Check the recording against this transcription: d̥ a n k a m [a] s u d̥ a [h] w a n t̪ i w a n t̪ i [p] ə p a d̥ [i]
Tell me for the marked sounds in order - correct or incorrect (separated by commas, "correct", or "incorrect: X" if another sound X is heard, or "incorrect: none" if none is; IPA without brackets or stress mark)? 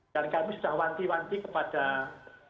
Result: incorrect: i, correct, incorrect: k, incorrect: a